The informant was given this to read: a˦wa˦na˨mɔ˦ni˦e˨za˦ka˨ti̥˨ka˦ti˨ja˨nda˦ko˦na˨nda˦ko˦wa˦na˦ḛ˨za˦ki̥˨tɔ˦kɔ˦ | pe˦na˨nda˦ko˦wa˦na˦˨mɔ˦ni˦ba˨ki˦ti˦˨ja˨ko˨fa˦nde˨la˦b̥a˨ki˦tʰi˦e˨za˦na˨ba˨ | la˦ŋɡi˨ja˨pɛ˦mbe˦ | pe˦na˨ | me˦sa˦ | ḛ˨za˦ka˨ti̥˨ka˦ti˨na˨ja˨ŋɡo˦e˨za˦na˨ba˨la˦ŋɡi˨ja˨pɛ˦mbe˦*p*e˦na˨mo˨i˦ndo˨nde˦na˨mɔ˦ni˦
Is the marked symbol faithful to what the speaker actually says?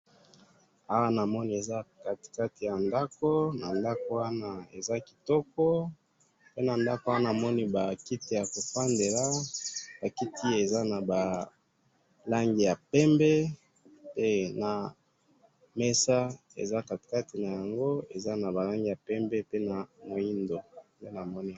yes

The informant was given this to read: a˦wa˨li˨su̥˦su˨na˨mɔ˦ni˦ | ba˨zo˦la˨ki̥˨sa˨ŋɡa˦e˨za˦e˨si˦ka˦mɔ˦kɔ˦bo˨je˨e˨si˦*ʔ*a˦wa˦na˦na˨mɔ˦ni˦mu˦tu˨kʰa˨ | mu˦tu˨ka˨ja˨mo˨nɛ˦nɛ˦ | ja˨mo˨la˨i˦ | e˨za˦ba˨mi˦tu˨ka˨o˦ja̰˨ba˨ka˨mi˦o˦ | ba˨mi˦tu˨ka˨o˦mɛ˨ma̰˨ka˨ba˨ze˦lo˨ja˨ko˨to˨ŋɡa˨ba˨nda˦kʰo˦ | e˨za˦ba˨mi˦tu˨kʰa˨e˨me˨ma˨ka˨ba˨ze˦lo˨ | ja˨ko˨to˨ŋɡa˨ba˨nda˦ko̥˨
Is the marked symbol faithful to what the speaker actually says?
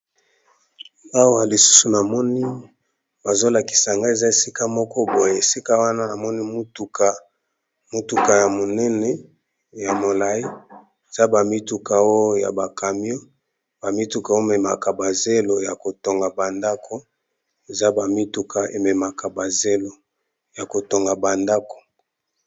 no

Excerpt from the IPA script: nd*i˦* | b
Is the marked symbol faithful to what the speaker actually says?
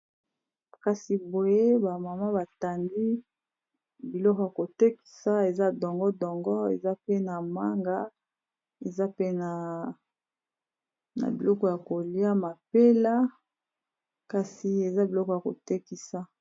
yes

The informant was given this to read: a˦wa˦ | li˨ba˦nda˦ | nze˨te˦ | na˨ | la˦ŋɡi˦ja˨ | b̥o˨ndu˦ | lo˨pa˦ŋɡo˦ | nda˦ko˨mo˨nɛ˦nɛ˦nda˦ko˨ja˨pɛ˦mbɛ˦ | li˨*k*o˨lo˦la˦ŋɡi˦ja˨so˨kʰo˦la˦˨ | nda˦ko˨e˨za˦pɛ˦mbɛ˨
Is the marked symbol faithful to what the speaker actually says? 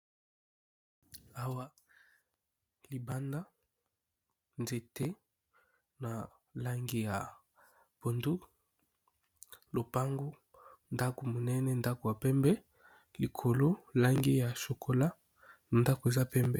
no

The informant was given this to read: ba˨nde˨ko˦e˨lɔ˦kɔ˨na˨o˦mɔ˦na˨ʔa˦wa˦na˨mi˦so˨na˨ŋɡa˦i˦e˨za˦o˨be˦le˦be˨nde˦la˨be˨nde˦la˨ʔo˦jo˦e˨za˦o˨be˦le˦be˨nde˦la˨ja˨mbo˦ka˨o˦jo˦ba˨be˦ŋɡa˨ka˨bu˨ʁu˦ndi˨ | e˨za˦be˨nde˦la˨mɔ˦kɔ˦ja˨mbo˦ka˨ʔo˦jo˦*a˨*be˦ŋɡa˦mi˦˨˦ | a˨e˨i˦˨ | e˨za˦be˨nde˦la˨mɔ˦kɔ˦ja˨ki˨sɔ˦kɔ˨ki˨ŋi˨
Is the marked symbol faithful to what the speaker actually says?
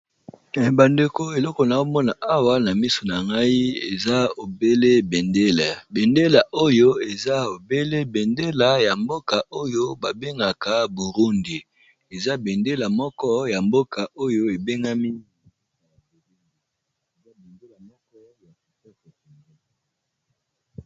no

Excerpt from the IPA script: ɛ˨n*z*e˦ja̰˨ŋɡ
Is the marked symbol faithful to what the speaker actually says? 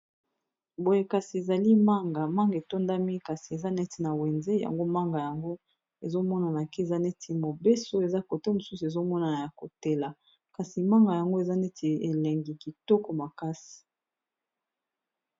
yes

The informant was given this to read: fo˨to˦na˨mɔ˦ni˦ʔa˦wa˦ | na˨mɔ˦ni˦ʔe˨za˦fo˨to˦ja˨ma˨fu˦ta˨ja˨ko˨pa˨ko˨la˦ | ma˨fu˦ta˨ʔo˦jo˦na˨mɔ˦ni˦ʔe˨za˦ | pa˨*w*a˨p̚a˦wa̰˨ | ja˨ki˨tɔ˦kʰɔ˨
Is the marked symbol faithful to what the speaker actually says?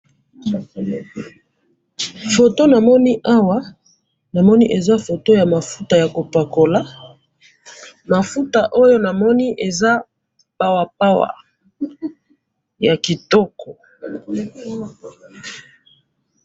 yes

